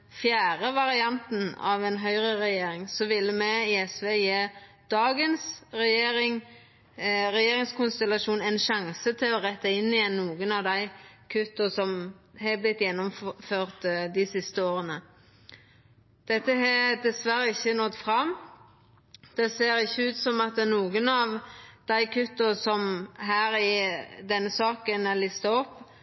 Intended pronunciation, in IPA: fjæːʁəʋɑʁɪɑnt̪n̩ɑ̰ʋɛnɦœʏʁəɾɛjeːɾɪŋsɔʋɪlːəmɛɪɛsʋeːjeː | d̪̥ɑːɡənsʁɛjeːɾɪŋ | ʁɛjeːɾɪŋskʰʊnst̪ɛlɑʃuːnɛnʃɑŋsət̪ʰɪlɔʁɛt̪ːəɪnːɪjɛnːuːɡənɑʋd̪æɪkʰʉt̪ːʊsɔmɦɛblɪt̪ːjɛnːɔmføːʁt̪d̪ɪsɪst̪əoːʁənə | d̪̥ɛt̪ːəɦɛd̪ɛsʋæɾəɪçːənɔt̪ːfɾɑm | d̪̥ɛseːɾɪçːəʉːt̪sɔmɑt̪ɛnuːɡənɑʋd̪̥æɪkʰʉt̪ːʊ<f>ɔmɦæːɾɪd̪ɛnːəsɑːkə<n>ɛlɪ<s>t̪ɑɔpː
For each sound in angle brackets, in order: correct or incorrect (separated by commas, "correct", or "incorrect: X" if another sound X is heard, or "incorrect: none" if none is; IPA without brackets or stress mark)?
incorrect: s, correct, correct